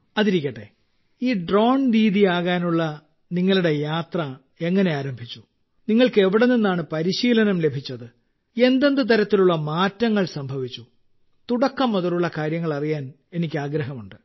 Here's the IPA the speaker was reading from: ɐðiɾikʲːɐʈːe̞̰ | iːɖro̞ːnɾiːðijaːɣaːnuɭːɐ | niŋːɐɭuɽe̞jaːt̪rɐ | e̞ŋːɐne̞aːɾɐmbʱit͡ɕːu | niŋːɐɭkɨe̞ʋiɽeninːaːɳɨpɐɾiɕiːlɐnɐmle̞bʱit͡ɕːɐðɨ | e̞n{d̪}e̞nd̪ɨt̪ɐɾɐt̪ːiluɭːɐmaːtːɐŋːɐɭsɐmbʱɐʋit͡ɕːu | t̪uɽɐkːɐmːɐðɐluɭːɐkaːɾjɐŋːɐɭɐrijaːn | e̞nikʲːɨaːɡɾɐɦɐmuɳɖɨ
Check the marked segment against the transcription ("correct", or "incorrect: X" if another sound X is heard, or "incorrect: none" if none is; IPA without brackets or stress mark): correct